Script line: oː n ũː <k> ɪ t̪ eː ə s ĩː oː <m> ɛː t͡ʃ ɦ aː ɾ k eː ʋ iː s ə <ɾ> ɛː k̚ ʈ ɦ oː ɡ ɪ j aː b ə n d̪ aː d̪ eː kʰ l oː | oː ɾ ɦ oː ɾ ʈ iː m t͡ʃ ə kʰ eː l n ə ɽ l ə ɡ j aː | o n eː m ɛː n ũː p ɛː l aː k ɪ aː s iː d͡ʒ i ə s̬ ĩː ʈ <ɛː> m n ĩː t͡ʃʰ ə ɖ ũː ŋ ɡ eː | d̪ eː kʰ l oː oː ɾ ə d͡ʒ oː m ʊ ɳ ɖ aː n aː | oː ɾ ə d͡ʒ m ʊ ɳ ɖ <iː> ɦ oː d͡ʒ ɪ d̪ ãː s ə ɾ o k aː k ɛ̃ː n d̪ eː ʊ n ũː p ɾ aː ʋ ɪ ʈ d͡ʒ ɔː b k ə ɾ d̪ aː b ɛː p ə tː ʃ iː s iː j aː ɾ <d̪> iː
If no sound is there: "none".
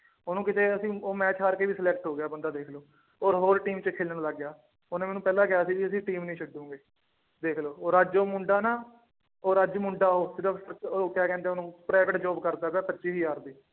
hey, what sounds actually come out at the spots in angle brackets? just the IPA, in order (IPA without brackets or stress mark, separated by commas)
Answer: k, m, l, iː, aː, d̪